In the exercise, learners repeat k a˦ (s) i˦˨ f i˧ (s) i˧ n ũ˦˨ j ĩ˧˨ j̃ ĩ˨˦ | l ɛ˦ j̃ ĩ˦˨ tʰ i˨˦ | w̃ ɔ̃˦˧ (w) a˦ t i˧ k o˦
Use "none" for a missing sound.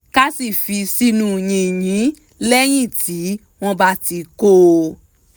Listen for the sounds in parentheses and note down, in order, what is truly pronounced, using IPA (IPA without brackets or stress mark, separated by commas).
s, s, b